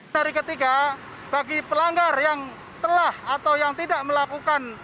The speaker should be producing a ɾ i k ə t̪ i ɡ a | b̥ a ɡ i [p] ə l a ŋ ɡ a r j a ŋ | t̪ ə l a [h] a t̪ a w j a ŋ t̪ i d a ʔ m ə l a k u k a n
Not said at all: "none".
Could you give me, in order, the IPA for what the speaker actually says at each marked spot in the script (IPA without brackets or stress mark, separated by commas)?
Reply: p, h